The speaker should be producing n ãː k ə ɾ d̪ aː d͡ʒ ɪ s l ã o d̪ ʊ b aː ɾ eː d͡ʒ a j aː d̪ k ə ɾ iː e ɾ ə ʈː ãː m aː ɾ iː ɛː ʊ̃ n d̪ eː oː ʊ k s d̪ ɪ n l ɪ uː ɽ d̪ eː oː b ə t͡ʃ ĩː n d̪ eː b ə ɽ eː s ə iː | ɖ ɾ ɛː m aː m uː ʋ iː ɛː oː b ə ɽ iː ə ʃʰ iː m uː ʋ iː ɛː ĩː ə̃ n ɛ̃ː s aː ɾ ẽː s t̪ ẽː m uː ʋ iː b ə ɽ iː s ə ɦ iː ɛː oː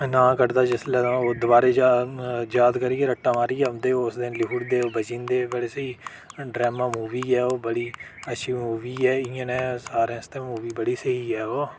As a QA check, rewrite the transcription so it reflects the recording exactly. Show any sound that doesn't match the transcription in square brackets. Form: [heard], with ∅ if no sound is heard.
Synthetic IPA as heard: n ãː k ə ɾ d̪ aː d͡ʒ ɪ s l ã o d̪ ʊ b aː ɾ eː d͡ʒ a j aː d̪ k ə ɾ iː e ɾ ə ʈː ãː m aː ɾ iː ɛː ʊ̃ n d̪ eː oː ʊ [∅] s d̪ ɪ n l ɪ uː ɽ d̪ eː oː b ə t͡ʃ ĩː n d̪ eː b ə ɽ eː s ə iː | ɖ ɾ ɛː m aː m uː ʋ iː ɛː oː b ə ɽ iː ə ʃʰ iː m uː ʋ iː ɛː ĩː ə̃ n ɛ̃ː s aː ɾ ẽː s t̪ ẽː m uː ʋ iː b ə ɽ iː s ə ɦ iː ɛː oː